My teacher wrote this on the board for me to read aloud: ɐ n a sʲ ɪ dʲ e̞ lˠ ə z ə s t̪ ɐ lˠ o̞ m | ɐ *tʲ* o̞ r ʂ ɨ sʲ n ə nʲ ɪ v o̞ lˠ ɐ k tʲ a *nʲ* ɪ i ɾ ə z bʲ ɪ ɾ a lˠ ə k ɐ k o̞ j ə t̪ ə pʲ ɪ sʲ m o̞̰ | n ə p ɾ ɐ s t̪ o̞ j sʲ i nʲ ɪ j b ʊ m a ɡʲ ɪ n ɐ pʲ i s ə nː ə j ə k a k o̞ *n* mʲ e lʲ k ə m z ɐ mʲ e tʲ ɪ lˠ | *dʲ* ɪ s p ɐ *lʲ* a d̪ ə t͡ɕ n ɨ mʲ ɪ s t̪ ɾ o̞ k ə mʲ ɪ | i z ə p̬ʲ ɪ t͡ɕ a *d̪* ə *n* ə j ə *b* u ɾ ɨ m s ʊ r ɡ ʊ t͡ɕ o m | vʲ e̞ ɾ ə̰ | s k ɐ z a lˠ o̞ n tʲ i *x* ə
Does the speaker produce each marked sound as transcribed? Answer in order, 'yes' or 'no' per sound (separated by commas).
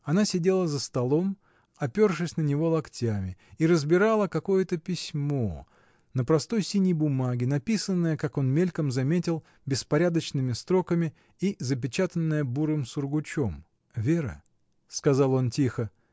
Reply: no, no, yes, no, no, no, no, yes, yes